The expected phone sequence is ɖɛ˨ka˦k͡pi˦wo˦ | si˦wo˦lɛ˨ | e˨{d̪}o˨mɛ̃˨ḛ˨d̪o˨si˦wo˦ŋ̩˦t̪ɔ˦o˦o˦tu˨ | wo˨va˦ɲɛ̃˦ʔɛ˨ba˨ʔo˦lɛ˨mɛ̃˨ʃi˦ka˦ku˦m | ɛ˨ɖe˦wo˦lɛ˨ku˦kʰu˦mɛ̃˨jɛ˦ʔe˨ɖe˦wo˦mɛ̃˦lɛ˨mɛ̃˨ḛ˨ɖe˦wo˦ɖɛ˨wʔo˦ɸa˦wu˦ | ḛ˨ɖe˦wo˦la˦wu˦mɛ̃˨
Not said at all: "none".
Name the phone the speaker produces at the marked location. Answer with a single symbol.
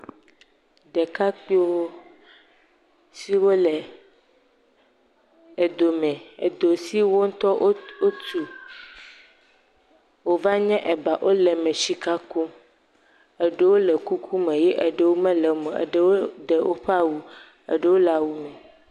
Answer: d̪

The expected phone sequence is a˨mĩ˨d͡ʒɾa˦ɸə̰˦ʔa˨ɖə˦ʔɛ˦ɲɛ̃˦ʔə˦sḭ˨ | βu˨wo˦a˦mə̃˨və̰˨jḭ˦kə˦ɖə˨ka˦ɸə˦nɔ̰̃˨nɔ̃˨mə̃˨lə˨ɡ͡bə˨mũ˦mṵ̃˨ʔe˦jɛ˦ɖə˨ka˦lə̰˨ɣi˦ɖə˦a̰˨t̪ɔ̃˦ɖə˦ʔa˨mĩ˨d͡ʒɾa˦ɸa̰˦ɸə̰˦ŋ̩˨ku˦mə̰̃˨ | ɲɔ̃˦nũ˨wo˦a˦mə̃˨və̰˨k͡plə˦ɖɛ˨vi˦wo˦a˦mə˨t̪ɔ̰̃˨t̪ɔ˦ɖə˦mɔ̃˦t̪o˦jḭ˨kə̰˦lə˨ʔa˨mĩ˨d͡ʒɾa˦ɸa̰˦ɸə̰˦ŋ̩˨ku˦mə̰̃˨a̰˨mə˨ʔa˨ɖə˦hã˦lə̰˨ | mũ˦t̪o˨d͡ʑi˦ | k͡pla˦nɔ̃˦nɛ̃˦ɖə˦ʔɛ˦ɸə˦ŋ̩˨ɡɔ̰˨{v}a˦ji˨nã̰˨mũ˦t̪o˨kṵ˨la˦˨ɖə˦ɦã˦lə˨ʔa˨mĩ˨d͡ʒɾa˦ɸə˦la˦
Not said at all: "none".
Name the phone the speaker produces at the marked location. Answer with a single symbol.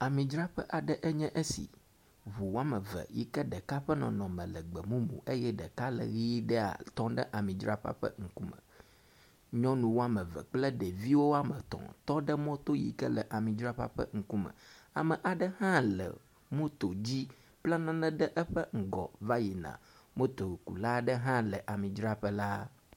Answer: v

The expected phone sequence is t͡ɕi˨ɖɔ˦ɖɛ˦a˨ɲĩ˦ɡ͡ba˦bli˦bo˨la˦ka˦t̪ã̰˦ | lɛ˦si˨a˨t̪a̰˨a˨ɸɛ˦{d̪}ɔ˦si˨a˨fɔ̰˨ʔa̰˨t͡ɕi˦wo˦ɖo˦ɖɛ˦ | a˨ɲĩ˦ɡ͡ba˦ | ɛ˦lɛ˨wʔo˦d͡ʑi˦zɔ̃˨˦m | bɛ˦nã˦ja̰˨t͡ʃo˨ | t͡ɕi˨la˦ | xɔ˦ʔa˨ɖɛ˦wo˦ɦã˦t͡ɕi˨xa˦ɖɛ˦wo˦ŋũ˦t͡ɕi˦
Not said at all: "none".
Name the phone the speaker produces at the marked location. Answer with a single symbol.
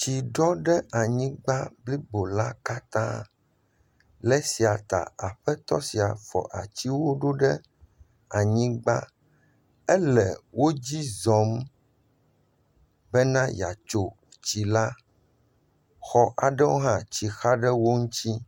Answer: t̪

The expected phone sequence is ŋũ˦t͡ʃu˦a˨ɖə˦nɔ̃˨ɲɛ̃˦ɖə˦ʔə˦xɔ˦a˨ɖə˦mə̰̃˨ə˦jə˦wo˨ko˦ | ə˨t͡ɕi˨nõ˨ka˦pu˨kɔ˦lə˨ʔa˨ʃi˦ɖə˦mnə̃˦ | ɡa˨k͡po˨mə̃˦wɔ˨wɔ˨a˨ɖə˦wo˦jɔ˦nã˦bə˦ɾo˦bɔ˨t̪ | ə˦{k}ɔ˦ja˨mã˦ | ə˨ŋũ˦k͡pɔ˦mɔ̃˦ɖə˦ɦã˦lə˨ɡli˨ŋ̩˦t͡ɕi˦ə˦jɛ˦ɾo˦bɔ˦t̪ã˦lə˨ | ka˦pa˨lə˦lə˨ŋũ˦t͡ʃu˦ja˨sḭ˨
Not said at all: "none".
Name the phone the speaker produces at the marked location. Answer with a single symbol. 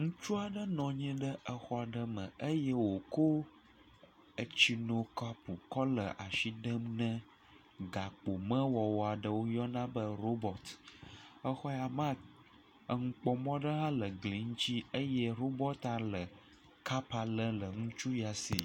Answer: x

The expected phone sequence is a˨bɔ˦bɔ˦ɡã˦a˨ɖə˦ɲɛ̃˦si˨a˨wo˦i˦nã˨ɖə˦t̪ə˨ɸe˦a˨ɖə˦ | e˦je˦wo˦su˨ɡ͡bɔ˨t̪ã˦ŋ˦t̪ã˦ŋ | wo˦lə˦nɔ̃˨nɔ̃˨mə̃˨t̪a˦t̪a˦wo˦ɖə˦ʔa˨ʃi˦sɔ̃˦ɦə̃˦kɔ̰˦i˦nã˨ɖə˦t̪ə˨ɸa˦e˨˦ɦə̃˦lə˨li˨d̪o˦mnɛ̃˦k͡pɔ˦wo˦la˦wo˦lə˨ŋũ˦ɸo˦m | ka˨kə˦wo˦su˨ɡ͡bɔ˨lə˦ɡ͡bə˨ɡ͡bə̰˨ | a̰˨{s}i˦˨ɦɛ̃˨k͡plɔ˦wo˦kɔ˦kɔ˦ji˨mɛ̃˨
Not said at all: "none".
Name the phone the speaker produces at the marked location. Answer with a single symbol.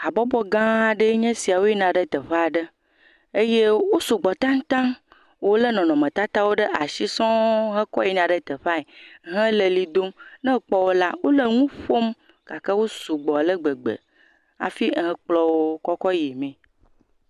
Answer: f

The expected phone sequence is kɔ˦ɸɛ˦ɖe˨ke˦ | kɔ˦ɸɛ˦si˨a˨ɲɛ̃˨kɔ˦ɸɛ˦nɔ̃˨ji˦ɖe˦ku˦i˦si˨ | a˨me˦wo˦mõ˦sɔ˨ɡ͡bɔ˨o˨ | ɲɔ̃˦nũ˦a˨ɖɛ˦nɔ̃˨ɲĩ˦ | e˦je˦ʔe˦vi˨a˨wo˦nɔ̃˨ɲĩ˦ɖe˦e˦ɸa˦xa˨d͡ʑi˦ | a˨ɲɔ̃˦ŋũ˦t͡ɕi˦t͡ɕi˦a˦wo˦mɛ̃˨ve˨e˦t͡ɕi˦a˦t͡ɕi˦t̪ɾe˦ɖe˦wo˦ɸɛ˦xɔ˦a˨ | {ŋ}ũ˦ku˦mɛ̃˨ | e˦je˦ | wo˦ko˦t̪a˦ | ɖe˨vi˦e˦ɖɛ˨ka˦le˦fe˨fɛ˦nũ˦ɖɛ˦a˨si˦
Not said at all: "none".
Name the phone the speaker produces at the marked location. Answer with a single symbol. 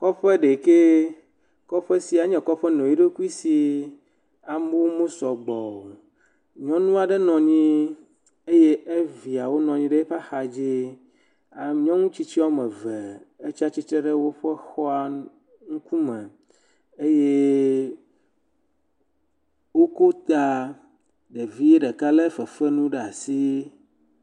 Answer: ŋ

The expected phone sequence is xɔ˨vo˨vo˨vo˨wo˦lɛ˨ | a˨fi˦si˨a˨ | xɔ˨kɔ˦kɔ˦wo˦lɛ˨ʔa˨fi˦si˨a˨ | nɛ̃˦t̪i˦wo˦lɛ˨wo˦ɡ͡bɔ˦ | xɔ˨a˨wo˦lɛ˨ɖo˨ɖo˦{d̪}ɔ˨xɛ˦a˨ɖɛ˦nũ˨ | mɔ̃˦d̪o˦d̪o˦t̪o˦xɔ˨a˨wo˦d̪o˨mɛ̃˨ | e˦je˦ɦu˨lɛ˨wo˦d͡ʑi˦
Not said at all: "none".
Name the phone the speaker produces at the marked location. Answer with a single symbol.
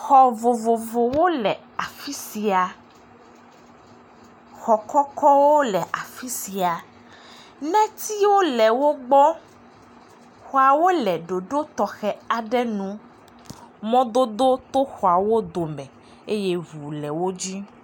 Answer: t̪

